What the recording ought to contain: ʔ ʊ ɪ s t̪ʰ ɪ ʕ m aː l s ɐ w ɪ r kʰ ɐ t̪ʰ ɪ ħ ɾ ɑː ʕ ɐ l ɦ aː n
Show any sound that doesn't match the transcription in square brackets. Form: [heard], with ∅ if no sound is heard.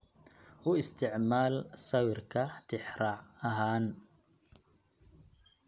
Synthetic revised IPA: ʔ ʊ ɪ s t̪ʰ ɪ ʕ m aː l s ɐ w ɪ r kʰ ɐ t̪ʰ ɪ ħ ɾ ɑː ʕ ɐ [∅] ɦ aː n